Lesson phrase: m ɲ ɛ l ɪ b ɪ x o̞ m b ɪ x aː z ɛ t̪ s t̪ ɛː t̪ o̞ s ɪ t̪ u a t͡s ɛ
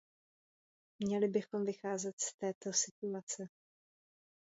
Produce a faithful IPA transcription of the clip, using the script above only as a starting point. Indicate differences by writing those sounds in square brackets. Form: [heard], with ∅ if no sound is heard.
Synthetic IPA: m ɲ ɛ l ɪ b ɪ x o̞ m [v] ɪ x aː z ɛ t̪ s t̪ ɛː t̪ o̞ s ɪ t̪ u a t͡s ɛ